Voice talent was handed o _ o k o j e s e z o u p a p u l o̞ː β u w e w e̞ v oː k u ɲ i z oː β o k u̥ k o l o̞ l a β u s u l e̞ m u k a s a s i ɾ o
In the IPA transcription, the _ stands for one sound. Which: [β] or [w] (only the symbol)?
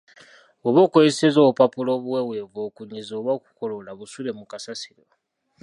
β